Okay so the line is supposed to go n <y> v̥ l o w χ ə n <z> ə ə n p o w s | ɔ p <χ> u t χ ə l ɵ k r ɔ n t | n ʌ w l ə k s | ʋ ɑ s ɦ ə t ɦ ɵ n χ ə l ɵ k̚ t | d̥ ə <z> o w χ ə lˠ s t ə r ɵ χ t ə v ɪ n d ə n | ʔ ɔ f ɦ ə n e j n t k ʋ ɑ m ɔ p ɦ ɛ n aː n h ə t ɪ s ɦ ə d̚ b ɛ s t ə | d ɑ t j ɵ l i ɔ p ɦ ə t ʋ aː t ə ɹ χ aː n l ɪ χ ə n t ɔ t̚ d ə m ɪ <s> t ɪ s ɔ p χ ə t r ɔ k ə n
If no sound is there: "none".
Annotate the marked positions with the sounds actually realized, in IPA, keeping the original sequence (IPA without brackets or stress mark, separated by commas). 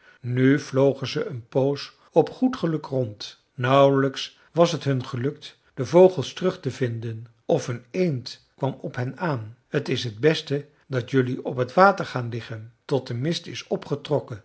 y, z, χ, v, s